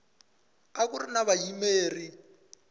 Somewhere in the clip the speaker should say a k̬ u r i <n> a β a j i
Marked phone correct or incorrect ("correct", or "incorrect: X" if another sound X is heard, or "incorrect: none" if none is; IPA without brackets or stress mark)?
correct